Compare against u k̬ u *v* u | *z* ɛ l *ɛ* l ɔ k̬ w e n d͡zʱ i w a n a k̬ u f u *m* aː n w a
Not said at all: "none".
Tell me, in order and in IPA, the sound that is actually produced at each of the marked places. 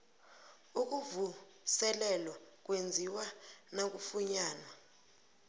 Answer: v, s, ɛ, ɲ

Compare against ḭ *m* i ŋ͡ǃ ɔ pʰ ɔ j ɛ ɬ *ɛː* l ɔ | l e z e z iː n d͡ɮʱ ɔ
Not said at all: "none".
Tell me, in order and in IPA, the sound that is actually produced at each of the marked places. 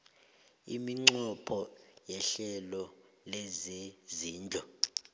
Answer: m, ɛ

